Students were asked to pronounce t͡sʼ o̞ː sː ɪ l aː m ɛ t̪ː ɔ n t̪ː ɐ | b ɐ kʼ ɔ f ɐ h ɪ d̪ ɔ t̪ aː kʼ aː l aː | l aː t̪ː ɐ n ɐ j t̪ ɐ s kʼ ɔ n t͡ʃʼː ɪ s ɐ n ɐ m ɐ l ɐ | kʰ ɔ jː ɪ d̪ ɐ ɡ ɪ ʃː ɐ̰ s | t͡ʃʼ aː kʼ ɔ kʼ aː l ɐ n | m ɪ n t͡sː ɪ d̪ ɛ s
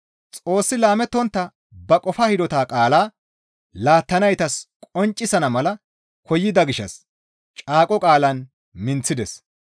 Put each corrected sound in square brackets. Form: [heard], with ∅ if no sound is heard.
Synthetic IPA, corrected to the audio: t͡sʼ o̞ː sː ɪ l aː m ɛ t̪ː ɔ n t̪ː ɐ | b ɐ kʼ ɔ f ɐ h ɪ d̪ ɔ t̪ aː kʼ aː l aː | l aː t̪ː ɐ n ɐ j t̪ ɐ s kʼ ɔ n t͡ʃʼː ɪ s ɐ n ɐ m ɐ l ɐ | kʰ ɔ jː ɪ d̪ ɐ ɡ ɪ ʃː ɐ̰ s | t͡ʃʼ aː kʼ ɔ kʼ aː l ɐ n | m ɪ n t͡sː ɪ d̪ ɛ s